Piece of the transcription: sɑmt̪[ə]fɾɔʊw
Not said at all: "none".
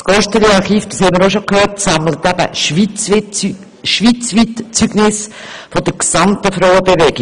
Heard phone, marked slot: ə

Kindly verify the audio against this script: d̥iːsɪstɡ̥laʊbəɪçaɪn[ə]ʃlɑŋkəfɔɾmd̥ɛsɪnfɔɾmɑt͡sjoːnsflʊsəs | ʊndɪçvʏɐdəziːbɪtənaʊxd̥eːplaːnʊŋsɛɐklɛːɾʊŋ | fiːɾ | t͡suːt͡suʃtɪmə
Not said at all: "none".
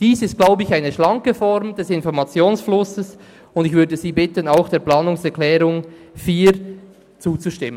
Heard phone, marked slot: ə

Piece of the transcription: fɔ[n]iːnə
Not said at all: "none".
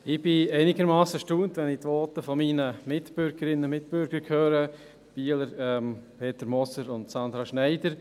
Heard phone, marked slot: m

